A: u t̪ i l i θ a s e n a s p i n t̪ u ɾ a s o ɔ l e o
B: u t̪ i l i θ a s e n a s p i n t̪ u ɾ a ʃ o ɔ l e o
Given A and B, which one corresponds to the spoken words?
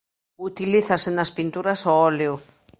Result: A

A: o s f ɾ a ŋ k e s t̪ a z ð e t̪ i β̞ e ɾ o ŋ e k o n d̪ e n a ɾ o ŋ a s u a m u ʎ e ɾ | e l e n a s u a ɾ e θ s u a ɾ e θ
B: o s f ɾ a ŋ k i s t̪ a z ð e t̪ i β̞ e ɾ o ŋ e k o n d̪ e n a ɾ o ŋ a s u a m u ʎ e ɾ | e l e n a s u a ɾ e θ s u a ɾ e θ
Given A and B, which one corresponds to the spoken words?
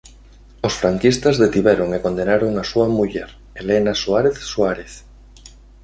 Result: B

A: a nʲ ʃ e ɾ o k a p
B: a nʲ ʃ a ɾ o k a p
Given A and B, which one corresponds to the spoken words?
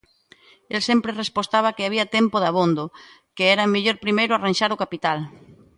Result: B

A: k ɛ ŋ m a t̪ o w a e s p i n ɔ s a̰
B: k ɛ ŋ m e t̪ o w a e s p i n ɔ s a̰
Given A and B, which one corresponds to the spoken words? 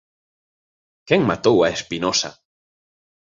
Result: A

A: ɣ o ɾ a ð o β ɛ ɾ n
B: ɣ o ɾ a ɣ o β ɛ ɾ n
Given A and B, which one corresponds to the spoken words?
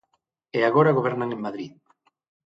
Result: B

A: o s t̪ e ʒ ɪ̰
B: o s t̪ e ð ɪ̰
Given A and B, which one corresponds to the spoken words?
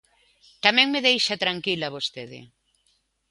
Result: B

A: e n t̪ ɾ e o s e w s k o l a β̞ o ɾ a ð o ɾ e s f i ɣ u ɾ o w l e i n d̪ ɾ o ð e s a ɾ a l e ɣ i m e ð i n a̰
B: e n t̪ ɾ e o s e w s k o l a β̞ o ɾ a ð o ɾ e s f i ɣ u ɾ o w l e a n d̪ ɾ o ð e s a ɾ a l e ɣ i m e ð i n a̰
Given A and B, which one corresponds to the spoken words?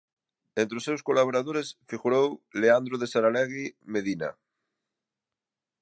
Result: B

